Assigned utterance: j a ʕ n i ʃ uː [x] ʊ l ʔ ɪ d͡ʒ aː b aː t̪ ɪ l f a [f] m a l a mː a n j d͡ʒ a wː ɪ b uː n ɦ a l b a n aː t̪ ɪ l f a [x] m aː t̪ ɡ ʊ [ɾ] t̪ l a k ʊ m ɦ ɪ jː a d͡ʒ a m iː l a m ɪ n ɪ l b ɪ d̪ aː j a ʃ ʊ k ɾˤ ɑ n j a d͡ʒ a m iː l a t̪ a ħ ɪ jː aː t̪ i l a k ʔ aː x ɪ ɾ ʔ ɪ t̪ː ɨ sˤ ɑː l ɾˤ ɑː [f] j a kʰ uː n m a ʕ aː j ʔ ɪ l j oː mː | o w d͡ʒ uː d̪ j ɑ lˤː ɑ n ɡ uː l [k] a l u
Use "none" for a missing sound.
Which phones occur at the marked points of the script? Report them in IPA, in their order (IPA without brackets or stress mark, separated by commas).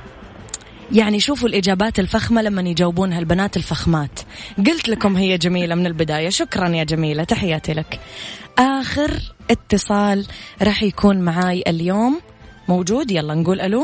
f, x, x, l, ħ, ʔ